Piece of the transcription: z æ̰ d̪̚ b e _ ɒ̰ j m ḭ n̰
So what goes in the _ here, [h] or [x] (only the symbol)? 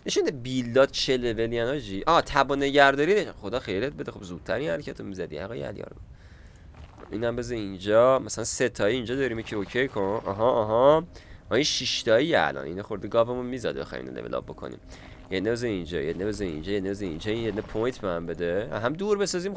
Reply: x